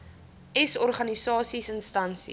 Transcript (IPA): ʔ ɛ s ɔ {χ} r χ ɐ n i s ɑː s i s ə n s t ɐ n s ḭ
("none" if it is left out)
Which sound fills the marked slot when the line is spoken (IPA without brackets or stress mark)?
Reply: none